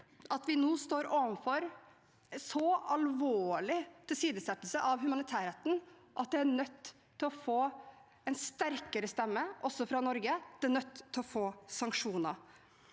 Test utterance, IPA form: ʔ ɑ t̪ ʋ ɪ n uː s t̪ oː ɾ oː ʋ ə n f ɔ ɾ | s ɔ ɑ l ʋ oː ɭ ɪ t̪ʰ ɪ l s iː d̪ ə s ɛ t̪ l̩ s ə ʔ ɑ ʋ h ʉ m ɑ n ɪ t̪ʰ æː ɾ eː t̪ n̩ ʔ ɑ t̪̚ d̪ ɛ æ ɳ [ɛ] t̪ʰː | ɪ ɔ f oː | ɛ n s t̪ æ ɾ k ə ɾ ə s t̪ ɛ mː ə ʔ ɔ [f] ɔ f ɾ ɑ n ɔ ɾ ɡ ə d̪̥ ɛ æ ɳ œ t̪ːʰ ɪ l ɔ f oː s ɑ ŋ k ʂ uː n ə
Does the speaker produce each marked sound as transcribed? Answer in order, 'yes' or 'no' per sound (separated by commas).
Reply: no, no